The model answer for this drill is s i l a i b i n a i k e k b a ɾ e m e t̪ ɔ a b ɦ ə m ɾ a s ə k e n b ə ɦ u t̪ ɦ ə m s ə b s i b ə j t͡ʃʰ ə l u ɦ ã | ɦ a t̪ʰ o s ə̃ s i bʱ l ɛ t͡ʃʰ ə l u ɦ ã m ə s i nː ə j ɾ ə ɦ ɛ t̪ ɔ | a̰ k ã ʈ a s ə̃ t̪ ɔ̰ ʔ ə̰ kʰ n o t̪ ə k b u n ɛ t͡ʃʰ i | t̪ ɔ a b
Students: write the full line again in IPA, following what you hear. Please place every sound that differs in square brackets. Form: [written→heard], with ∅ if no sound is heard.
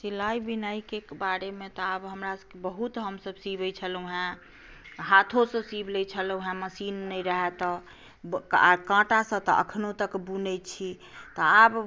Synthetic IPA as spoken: s i l a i b i n a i k e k b a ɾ e m e t̪ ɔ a b ɦ ə m ɾ a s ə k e [n→∅] b ə ɦ u t̪ ɦ ə m s ə b s i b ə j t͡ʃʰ ə l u ɦ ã | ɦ a t̪ʰ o s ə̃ s i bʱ l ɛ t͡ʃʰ ə l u ɦ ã m ə s i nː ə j ɾ ə ɦ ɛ t̪ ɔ | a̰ k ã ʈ a s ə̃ t̪ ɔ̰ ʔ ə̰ kʰ n o t̪ ə k b u n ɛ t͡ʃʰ i | t̪ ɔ a b